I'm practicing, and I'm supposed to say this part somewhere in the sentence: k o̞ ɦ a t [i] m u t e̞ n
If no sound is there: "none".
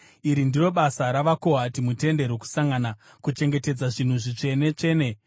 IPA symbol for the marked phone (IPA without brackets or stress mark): i